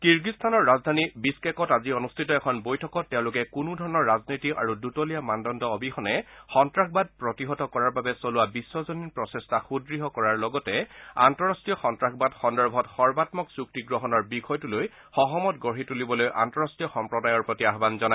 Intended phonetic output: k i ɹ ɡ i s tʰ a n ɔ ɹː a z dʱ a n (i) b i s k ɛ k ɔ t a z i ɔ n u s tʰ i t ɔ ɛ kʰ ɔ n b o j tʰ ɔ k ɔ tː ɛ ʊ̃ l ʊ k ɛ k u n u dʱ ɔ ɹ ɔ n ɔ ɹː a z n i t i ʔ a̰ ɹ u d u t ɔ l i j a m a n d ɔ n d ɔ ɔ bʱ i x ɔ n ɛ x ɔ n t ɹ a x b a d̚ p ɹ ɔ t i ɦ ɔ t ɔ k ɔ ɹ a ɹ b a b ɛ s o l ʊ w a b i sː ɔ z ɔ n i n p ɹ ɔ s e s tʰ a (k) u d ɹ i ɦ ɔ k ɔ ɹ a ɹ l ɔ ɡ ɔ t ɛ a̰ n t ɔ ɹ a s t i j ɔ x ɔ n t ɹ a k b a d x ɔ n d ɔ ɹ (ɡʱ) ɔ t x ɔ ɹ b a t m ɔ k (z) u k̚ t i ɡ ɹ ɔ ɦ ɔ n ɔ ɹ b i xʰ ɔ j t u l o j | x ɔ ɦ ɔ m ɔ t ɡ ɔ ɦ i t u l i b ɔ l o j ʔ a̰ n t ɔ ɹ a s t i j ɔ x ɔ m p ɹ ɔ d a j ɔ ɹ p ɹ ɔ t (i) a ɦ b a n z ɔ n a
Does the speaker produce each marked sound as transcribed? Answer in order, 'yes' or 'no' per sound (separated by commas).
yes, no, no, no, yes